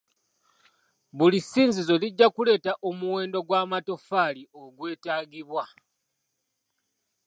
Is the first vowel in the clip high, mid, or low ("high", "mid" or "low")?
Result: high